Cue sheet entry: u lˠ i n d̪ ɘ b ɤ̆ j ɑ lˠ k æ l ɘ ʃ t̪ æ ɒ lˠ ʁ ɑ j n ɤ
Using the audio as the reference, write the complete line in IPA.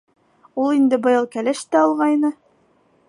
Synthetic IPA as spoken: u lˠ i n d̪ ɘ b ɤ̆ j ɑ lˠ k æ l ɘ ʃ t̪ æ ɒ lˠ ʁ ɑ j n ɤ